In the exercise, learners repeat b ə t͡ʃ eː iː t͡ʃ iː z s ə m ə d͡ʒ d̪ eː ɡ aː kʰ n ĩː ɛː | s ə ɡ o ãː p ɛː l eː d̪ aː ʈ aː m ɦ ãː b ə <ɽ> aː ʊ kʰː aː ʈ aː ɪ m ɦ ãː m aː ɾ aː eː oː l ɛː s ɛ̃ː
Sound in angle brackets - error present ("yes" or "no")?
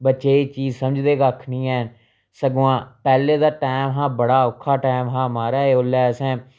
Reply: no